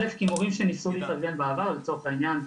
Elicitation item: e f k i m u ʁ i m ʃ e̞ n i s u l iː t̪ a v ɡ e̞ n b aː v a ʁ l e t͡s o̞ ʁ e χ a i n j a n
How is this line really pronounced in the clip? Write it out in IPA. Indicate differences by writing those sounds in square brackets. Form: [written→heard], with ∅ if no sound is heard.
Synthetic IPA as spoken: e f k i m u ʁ i m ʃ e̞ n i s u l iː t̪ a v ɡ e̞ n b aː v a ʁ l e t͡s o̞ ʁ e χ a i n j a n